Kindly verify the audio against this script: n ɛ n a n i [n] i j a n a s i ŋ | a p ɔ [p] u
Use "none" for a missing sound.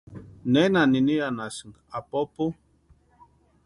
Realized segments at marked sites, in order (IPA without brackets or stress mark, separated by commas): n, p